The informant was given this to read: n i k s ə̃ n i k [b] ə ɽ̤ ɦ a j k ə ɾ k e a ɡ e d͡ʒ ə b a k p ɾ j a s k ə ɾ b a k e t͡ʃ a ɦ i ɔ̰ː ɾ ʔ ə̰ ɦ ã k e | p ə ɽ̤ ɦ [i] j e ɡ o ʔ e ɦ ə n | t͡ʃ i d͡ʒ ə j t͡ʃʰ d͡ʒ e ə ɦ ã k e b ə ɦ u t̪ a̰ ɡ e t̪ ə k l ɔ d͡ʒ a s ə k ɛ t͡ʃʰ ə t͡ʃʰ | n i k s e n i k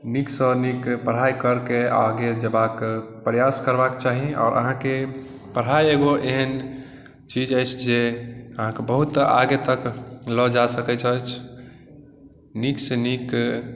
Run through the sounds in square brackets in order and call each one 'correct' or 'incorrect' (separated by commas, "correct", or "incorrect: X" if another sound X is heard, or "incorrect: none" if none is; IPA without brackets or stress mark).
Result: incorrect: p, incorrect: a